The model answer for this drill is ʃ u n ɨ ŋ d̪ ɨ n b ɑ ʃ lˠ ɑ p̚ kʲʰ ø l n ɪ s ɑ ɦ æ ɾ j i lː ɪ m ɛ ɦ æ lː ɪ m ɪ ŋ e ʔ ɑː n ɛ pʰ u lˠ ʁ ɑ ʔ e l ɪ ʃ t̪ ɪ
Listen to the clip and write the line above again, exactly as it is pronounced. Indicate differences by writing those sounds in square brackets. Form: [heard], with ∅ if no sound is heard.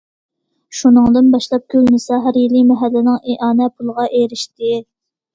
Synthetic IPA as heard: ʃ u n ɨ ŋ d̪ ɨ n b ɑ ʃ lˠ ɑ p̚ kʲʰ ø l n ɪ s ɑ ɦ æ ɾ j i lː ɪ m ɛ ɦ æ lː ɪ [n] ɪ ŋ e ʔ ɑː n ɛ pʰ u lˠ ʁ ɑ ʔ e [ɾ] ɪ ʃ t̪ ɪ